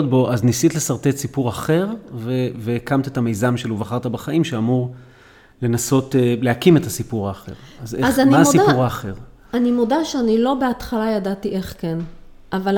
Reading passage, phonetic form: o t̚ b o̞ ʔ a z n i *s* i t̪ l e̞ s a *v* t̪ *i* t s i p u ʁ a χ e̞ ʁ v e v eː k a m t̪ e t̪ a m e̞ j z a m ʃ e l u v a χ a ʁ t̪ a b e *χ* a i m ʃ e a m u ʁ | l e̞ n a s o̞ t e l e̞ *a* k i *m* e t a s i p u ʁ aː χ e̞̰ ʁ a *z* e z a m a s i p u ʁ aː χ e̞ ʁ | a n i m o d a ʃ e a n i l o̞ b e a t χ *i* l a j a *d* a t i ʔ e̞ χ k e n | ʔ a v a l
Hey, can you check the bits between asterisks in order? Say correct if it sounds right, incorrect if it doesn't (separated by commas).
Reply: correct, incorrect, incorrect, correct, correct, correct, correct, incorrect, correct